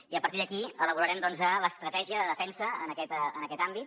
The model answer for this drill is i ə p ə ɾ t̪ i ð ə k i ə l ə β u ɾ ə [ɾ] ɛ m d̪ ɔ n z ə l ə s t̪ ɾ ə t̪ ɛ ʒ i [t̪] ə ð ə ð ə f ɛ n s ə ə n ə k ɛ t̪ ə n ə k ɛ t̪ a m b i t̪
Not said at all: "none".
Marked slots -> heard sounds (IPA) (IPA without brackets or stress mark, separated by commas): ɾ, none